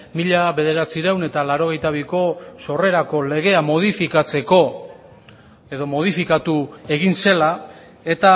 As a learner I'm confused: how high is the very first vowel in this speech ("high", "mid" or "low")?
high